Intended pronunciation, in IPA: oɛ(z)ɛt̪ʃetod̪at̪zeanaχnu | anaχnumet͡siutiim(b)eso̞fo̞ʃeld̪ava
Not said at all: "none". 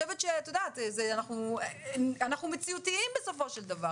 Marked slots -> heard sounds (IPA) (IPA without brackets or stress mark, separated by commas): v, b